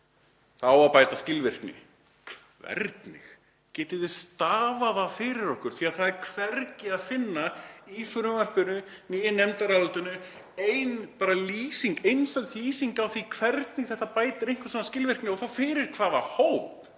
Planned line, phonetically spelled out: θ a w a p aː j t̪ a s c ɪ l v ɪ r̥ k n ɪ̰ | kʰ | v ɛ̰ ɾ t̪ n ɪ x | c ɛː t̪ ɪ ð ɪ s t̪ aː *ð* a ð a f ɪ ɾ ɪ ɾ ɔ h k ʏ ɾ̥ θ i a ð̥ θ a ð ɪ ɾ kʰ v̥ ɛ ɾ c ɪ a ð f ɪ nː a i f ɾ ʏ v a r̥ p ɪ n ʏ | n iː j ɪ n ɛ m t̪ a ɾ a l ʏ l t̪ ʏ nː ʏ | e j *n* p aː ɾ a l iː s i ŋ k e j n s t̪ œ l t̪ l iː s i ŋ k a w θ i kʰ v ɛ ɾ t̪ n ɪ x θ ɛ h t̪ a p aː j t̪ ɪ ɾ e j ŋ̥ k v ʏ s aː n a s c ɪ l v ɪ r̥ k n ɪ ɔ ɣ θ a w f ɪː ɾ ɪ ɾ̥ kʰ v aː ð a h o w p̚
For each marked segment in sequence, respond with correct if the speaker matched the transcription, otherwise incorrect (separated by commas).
incorrect, correct